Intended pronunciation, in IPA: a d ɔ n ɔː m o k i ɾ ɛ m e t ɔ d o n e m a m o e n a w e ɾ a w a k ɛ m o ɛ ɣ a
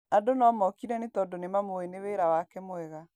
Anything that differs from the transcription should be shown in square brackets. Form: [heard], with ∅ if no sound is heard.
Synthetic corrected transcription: a d [o] n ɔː m [ɔ] k i ɾ ɛ [n] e t ɔ d o n e m a m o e n [e] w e ɾ a w a k ɛ m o ɛ ɣ a